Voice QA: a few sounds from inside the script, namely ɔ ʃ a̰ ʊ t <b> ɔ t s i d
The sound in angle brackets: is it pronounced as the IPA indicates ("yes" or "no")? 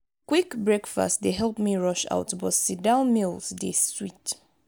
yes